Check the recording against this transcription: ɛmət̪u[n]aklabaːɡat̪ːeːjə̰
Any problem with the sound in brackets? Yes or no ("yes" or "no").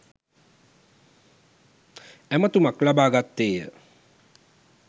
yes